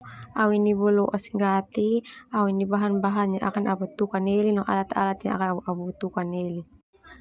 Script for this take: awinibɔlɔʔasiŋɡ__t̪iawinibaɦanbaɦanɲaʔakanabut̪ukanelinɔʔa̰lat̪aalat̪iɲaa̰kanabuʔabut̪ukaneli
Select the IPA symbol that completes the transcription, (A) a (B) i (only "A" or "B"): A